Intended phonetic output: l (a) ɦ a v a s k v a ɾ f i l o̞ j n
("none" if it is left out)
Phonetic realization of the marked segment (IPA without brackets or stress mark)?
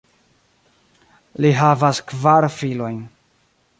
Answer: i